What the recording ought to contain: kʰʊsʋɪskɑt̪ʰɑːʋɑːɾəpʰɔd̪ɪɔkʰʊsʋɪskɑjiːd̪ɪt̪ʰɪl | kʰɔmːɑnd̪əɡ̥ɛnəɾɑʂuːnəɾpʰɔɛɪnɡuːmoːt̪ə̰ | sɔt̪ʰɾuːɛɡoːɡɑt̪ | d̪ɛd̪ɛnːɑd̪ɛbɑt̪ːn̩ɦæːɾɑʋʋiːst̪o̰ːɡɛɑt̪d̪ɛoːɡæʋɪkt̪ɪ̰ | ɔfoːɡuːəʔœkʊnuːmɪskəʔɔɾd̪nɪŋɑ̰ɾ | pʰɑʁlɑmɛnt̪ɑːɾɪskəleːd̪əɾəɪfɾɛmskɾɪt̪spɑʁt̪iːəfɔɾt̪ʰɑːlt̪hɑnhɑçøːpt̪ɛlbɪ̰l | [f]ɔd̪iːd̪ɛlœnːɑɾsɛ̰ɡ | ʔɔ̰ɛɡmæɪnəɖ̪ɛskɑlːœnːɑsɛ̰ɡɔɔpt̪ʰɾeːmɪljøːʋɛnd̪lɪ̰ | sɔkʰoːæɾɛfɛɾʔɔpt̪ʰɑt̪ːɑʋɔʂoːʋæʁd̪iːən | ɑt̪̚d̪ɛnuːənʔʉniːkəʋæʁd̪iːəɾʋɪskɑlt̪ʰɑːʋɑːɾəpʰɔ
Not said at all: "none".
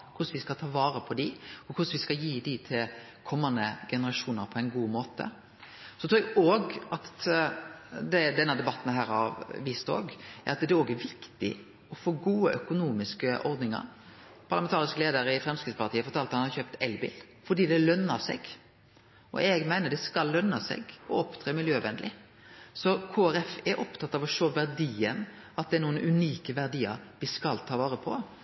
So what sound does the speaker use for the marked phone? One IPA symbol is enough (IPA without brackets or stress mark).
f